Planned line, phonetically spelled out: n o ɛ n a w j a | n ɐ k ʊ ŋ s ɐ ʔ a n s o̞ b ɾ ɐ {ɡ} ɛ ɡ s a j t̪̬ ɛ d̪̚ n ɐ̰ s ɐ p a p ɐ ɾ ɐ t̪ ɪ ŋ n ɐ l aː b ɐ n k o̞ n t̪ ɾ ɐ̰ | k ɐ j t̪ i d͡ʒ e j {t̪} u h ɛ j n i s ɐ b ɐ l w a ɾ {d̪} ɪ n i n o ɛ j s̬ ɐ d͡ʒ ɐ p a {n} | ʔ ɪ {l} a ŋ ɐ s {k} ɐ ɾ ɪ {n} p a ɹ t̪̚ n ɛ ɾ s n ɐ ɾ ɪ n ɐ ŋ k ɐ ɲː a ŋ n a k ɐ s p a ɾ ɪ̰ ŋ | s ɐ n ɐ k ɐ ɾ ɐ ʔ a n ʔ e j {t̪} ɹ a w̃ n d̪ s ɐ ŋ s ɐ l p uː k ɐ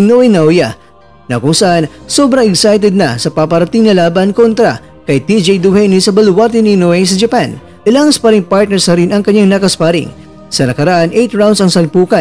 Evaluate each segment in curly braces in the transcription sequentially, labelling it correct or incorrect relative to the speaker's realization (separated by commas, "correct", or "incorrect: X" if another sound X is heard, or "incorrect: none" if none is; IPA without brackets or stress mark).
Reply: incorrect: ŋ, incorrect: d̪, incorrect: t̪, correct, correct, incorrect: p, incorrect: ŋ, correct